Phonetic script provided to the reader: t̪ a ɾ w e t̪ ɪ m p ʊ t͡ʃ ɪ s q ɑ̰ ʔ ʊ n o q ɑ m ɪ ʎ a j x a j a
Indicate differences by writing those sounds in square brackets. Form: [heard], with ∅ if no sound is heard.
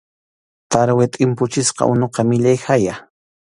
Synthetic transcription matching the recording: t̪ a ɾ w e [t̪ʼ] ɪ m p ʊ t͡ʃ ɪ s q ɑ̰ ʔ ʊ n o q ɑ m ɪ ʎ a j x a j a